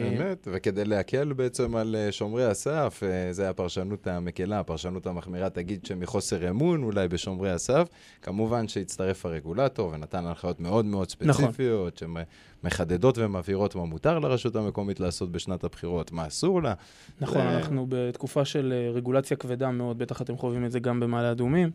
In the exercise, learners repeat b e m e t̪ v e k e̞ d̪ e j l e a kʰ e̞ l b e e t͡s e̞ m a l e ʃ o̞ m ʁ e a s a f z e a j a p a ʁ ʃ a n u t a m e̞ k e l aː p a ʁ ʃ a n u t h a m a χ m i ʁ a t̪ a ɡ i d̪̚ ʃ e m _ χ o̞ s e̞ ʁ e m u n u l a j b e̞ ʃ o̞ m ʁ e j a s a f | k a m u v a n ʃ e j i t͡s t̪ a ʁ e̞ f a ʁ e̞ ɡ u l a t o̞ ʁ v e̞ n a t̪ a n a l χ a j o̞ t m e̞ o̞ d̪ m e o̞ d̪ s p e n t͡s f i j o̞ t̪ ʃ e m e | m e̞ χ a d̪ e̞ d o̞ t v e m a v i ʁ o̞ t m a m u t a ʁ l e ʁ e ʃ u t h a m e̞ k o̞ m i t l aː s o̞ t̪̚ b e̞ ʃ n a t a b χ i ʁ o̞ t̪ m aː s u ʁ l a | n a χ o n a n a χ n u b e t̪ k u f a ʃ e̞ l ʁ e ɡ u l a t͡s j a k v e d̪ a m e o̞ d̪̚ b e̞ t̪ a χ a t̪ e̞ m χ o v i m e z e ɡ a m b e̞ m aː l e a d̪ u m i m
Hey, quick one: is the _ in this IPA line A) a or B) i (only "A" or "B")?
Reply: B